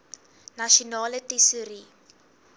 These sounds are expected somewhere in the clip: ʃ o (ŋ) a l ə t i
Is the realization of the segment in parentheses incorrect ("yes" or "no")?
yes